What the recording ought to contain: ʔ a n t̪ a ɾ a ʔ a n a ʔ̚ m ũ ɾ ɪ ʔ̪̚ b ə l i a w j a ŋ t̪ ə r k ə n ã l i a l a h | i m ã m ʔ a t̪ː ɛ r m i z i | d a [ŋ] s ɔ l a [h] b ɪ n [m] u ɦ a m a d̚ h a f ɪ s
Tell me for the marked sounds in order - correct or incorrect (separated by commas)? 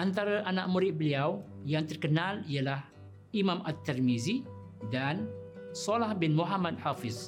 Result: incorrect, correct, correct